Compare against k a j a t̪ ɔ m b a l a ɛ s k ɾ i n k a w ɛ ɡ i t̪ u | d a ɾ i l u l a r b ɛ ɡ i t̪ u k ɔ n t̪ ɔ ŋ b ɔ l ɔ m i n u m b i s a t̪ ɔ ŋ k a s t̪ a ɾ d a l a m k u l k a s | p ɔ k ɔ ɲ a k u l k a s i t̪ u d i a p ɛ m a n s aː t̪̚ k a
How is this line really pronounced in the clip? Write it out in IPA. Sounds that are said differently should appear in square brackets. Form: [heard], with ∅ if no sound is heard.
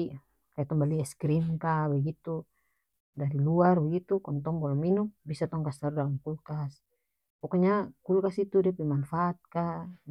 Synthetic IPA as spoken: k a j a t̪ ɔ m b a l [i] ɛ s k ɾ i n k a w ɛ ɡ i t̪ u | d a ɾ i l u [∅] a r b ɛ ɡ i t̪ u k ɔ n t̪ ɔ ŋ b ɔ l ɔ m i n u m b i s a t̪ ɔ ŋ k a s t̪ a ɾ d a l a m k u l k a s | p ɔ k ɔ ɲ a k u l k a s i t̪ u d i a p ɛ m a n [f] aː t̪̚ k a